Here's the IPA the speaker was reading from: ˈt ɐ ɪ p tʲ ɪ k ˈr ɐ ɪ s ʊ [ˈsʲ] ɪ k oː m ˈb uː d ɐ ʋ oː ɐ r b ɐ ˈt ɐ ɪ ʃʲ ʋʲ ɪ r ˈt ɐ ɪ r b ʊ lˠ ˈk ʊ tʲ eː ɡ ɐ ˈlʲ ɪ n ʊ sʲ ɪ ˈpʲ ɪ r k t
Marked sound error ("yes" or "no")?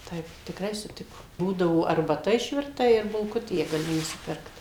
yes